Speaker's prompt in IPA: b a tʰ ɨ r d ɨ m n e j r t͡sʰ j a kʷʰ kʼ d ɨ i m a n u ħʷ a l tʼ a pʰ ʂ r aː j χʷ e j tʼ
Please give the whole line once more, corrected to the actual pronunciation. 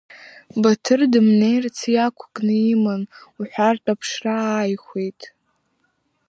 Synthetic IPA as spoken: b a tʰ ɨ r d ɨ m n e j r t͡sʰ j a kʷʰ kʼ n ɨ i m a n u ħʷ a r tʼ a pʰ ʂ r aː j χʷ e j tʼ